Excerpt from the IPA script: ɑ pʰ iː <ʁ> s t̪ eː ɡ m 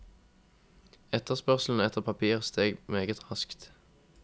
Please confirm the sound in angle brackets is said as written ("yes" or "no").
yes